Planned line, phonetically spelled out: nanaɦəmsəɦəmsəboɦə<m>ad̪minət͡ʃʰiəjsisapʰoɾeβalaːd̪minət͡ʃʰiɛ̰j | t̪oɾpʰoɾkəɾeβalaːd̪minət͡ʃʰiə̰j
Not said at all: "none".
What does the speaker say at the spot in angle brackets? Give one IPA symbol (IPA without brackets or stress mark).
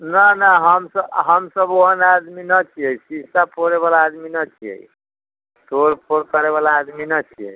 n